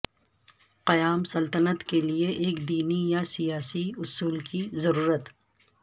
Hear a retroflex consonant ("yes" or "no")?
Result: no